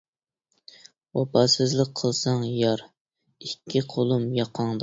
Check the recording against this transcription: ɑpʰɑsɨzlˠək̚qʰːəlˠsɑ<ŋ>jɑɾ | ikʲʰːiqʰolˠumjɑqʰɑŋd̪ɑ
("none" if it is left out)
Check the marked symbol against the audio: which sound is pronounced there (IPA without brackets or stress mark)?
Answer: ŋ